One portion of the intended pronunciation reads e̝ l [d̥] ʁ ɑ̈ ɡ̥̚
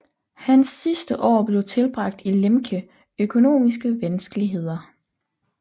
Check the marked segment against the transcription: incorrect: b̥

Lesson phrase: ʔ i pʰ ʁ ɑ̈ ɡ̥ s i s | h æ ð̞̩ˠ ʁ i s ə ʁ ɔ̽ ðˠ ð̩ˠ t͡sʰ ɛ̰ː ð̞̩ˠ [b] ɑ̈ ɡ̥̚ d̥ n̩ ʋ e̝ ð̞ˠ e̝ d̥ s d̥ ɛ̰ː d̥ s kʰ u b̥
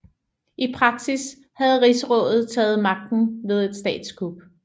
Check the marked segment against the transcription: incorrect: m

